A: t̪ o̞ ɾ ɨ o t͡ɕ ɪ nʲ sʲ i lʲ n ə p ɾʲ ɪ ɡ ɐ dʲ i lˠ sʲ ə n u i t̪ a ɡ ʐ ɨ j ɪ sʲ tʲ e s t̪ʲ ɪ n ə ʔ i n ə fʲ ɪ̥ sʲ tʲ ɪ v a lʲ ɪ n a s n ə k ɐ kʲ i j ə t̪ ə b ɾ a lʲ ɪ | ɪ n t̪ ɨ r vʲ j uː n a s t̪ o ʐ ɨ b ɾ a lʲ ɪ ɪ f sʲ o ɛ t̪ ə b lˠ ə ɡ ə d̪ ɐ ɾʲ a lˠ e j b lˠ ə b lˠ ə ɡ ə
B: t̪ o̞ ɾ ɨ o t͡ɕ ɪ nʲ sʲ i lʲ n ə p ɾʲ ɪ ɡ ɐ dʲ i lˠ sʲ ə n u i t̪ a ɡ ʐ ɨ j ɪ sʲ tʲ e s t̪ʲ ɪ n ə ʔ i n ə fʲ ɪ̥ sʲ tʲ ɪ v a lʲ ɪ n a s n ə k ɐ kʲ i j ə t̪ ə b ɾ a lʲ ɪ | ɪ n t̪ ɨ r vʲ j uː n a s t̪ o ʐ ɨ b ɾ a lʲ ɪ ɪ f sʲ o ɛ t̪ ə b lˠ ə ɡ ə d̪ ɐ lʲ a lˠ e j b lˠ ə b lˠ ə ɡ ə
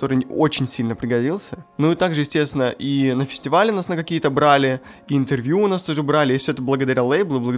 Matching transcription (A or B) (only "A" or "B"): A